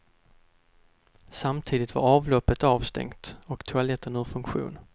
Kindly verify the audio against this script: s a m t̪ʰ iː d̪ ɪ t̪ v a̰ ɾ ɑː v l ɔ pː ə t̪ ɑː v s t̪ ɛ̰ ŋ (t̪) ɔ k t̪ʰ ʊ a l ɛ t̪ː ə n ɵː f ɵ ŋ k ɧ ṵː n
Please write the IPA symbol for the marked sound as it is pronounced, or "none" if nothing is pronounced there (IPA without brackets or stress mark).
t̪